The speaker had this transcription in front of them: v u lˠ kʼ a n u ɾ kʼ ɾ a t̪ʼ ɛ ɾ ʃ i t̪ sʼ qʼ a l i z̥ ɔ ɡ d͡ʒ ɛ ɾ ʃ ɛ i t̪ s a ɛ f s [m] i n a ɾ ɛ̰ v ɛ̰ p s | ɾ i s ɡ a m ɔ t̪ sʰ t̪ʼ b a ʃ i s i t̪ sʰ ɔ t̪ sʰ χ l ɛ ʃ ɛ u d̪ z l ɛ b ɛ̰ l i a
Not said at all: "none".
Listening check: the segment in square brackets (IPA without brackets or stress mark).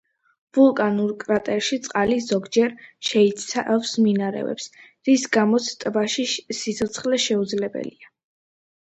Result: m